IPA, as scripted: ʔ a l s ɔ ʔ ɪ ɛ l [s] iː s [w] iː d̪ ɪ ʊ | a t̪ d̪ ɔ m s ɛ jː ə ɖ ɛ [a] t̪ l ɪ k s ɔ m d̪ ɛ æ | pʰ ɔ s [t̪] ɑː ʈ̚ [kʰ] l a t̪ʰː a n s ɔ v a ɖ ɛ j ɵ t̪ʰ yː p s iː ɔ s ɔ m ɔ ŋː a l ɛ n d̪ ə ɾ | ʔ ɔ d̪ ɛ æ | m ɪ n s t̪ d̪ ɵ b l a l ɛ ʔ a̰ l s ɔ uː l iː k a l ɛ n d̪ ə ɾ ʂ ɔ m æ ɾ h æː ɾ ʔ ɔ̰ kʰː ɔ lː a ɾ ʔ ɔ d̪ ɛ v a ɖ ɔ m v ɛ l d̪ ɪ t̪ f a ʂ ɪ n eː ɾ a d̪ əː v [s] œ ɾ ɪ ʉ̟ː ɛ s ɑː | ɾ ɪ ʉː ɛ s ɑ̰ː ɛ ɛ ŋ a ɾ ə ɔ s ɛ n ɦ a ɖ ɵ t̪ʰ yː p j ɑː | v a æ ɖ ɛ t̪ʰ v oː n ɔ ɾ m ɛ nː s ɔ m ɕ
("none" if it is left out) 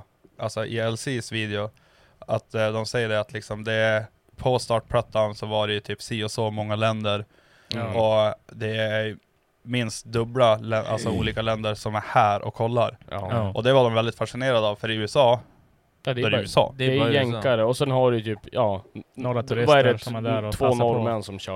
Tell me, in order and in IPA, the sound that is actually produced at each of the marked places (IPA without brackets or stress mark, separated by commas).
s, v, a, t̪, pʰ, f